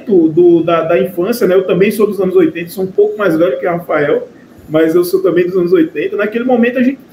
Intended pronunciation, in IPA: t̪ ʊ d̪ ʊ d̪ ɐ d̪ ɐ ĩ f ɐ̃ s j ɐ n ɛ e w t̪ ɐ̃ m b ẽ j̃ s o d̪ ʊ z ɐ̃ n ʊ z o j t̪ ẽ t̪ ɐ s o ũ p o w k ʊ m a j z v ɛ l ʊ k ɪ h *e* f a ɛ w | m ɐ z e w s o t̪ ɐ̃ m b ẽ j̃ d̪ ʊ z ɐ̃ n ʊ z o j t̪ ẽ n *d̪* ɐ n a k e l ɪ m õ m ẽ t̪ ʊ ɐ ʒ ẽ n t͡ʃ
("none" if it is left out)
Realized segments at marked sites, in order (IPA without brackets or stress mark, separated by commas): a, t̪